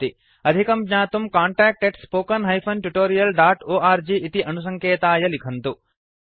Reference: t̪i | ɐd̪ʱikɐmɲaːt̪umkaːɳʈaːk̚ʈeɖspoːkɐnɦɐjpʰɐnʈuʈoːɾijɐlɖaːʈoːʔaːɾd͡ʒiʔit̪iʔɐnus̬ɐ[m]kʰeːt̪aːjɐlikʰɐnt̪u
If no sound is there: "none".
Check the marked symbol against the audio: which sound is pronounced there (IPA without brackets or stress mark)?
ŋ